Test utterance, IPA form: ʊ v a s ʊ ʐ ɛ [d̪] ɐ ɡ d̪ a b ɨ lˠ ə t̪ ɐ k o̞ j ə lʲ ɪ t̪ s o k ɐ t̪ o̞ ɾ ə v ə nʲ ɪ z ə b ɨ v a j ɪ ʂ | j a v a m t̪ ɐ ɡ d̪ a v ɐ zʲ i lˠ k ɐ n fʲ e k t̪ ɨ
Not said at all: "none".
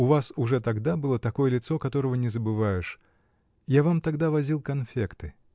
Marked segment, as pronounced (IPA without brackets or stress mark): t̪